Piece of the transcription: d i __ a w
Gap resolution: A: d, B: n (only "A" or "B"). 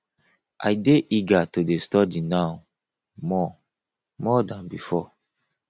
B